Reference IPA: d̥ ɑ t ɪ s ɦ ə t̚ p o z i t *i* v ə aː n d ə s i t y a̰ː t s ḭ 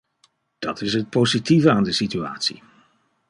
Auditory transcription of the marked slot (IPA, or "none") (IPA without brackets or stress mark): i